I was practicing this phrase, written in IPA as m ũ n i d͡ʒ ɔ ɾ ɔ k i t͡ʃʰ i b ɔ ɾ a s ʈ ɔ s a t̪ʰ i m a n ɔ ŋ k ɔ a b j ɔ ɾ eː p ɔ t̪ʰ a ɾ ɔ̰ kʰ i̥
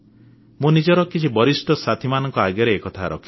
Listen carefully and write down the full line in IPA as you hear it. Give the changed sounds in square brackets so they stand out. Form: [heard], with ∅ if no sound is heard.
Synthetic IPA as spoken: m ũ n i d͡ʒ ɔ ɾ ɔ k i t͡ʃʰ i b ɔ ɾ [i] s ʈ ɔ s a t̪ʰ i m a n ɔ ŋ k ɔ a [ɡ] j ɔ ɾ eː [k] ɔ t̪ʰ a ɾ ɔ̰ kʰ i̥